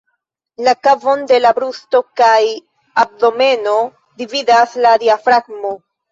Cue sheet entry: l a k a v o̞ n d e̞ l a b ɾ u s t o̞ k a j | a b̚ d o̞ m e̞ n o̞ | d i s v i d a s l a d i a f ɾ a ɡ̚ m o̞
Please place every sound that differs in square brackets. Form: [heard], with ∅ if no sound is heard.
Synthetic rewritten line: l a k a v o̞ n d e̞ l a b ɾ u s t o̞ k a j | a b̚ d o̞ m e̞ n o̞ | d i [∅] v i d a s l a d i a f ɾ a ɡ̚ m o̞